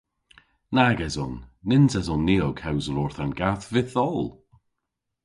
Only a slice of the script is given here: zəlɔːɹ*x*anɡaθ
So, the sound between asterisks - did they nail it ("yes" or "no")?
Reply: no